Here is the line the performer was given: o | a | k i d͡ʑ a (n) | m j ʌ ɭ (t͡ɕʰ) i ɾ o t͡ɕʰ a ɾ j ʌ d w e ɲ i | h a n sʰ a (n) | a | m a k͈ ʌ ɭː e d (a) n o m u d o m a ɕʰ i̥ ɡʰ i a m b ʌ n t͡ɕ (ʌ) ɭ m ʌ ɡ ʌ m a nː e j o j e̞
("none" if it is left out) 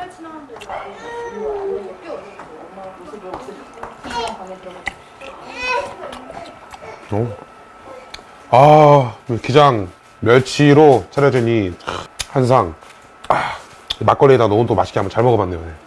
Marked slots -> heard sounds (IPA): ŋ, t͡ɕʰ, ŋ, a, a

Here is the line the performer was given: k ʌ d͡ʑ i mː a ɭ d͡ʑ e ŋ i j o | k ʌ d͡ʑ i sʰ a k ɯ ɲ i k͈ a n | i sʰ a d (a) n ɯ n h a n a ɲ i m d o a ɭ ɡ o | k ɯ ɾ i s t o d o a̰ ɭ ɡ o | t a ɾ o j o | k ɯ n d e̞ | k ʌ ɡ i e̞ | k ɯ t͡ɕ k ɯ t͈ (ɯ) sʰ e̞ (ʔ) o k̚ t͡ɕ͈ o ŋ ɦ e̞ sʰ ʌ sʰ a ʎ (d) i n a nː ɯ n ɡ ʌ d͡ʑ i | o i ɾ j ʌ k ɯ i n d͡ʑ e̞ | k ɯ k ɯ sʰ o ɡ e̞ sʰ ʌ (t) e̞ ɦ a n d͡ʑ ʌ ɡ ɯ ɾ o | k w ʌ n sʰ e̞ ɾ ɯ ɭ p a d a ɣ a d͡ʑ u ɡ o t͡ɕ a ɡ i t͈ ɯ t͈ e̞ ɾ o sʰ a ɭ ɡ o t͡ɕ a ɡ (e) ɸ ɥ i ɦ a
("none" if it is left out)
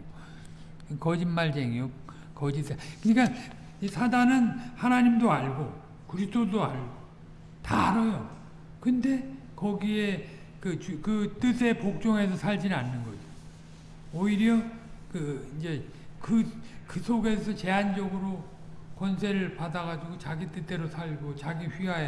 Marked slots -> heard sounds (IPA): a, ɯ, p, d͡ʑ, t͡ɕ, i

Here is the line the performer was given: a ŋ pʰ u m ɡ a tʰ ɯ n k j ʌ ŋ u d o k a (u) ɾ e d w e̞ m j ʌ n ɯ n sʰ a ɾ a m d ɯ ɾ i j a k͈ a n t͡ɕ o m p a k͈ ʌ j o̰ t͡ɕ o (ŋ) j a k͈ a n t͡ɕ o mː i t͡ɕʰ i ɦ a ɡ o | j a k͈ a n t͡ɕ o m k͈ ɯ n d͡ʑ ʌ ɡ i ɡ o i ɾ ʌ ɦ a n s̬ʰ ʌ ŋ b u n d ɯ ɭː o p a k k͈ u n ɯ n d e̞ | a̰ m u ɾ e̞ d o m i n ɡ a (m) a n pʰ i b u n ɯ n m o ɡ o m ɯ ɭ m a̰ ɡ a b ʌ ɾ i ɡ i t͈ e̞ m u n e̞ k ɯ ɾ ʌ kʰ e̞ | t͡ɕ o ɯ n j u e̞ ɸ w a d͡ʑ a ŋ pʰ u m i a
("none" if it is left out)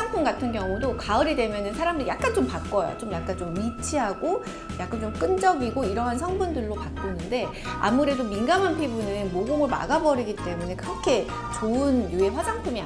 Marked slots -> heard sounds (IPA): ɯ, m, m

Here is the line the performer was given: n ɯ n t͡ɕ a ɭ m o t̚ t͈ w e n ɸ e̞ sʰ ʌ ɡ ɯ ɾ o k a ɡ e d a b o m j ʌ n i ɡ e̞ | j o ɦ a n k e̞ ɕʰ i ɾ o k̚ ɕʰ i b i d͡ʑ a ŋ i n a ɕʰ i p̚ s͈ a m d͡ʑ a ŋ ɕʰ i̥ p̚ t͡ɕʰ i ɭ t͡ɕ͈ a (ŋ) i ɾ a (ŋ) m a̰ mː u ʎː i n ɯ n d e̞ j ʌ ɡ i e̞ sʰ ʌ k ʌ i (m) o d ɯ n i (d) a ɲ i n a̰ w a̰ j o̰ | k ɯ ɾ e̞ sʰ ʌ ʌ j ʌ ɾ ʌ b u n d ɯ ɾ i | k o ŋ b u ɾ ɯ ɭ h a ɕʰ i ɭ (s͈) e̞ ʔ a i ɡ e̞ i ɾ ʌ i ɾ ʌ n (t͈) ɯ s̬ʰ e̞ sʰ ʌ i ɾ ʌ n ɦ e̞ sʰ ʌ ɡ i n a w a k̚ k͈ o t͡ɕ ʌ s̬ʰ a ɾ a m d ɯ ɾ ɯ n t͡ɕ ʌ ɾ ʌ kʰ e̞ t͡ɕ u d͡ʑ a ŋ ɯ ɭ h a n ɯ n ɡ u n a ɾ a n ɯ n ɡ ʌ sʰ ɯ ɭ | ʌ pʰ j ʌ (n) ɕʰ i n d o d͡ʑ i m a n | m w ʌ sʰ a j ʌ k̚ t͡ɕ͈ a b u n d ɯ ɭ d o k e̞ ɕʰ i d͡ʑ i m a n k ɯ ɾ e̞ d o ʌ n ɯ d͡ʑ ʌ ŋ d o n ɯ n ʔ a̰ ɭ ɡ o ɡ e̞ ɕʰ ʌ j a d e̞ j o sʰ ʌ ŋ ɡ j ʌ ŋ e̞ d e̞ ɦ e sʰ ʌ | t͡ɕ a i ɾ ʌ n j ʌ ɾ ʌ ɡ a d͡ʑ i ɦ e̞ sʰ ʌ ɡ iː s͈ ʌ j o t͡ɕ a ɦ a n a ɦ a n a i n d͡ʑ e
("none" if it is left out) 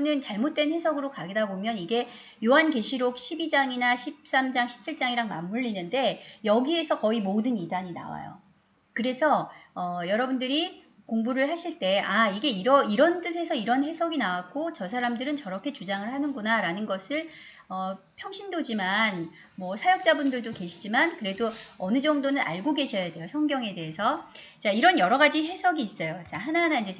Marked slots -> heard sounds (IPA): ŋ, ŋ, m, d, t͈, t͈, ŋ

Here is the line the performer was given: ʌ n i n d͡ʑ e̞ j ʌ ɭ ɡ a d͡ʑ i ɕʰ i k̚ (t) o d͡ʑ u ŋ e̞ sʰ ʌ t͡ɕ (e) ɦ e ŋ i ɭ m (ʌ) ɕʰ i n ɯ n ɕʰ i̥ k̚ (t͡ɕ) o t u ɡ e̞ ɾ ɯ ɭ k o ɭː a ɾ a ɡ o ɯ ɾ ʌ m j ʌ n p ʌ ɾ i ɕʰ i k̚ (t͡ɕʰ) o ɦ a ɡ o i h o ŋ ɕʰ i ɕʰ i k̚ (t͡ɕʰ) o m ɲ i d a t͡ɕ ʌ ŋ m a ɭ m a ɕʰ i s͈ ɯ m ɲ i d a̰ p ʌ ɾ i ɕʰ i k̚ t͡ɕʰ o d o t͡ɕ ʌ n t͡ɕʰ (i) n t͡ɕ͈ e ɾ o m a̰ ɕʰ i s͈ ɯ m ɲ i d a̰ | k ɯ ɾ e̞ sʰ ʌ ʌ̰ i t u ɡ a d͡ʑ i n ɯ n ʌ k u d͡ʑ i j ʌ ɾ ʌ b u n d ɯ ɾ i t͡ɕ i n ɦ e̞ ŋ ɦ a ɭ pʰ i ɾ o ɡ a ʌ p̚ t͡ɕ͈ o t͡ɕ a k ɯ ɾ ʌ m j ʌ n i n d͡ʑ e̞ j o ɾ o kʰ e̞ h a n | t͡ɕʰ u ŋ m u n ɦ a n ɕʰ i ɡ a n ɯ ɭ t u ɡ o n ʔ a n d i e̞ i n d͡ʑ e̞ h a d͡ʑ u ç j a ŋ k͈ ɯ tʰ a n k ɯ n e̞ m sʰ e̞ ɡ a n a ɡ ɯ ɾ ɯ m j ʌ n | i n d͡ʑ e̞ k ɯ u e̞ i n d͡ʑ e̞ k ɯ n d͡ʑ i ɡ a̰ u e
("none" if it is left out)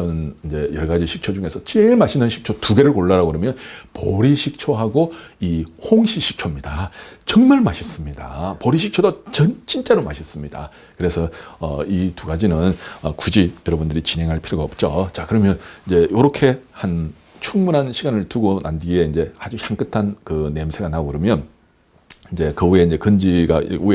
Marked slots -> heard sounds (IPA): t͡ɕʰ, i, a, t͡ɕʰ, t͡ɕʰ, t͡ɕʰ, i

